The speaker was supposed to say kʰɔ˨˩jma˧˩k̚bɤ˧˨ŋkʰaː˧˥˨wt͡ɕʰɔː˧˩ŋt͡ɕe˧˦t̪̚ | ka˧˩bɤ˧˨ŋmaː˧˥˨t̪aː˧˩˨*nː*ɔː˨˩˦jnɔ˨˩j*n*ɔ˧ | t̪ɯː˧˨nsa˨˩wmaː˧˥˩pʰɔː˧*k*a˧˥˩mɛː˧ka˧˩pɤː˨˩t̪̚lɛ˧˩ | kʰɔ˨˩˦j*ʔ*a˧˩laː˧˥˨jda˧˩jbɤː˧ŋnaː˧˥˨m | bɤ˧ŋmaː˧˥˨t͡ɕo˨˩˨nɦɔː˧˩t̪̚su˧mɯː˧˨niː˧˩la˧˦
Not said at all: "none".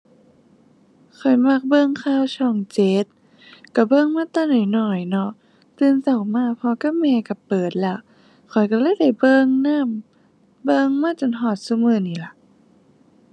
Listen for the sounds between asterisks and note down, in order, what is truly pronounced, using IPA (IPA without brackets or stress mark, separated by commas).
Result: n, n, k, k